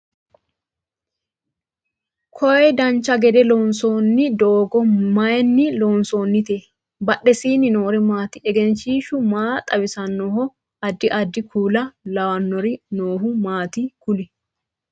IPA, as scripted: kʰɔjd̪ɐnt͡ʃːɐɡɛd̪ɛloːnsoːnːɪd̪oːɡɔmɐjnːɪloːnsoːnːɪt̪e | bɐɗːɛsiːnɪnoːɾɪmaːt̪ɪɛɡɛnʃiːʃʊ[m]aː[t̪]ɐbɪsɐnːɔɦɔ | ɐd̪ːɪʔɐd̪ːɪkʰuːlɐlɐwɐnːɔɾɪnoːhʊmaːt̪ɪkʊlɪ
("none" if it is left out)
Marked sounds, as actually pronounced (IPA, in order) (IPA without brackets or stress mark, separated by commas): m, t̪ʼ